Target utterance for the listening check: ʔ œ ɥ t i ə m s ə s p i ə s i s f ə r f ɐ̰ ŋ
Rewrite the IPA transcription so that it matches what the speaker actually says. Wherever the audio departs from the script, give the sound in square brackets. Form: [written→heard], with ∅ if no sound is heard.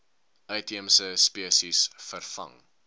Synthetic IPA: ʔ œ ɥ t i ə m s ə s p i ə s i s f ə r f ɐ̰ ŋ